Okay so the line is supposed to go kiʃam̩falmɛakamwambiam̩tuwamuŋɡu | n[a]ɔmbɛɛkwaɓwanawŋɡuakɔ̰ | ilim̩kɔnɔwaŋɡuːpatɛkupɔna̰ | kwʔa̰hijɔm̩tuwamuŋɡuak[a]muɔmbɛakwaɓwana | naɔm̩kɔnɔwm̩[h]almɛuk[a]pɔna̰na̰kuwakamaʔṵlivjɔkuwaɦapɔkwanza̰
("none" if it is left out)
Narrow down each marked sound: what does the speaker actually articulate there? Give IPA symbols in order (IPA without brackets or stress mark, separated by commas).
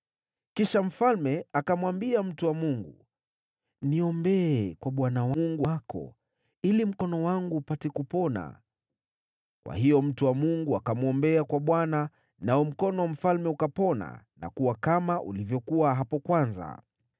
i, a, f, a